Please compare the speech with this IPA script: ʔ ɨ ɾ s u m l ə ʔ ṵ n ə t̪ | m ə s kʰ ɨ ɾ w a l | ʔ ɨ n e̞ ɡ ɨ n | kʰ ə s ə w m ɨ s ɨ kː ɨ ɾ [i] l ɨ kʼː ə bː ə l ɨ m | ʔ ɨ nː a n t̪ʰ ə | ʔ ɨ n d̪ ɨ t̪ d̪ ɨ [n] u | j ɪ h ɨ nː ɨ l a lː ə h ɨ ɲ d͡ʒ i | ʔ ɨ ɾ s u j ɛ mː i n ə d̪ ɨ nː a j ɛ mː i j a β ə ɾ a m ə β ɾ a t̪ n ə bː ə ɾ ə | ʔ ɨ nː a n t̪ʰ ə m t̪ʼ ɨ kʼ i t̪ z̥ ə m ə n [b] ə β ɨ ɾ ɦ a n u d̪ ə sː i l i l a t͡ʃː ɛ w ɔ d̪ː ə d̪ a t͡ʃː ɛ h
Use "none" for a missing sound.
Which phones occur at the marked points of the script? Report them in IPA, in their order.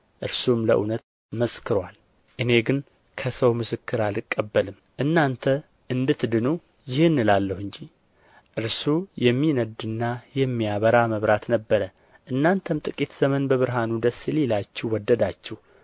a, n, b

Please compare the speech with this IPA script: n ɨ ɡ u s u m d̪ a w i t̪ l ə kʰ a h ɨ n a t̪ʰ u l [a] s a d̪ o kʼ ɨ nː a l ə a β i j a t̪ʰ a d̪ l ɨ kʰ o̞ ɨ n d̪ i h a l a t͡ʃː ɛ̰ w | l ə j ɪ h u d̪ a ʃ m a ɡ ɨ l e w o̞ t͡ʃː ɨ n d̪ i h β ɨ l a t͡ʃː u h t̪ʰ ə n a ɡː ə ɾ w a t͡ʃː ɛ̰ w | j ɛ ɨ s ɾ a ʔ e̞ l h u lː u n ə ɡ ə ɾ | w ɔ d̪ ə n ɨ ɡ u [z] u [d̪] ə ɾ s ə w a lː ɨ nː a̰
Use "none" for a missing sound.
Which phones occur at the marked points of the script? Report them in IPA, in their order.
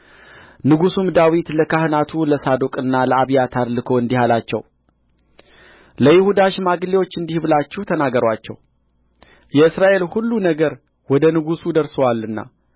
ə, s, d̪

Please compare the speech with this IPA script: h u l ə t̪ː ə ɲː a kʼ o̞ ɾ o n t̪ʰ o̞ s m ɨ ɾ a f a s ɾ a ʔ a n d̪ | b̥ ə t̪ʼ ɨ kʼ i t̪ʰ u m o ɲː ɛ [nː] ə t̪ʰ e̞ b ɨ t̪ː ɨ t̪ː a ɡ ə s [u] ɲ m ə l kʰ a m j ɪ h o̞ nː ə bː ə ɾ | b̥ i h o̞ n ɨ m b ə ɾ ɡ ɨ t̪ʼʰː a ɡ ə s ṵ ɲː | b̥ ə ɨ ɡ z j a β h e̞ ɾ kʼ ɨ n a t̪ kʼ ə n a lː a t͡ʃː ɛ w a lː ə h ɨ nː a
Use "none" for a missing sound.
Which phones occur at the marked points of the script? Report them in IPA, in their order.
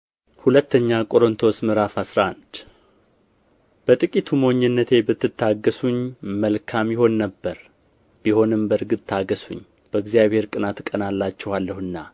nː, u

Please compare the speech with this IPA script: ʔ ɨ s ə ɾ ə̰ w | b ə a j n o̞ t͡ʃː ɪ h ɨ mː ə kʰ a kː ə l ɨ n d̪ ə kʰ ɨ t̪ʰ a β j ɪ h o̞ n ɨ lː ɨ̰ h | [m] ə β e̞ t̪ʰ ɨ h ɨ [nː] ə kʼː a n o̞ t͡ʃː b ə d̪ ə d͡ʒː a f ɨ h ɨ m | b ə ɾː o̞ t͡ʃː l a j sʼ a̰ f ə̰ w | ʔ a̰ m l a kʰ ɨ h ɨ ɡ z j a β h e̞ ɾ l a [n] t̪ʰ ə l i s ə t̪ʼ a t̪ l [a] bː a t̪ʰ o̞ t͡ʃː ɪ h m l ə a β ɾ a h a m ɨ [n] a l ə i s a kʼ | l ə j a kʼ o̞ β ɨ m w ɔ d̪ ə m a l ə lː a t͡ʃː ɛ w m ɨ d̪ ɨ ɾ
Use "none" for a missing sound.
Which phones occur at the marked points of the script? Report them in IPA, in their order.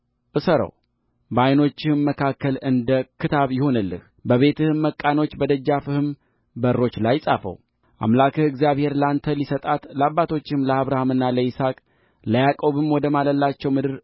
b, mː, n, a, nː

